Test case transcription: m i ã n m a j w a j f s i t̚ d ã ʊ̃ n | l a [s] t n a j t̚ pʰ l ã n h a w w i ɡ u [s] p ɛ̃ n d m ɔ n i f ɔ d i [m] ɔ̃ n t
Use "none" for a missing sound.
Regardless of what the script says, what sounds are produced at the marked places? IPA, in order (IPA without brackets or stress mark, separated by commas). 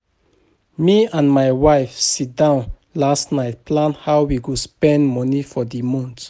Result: s, s, m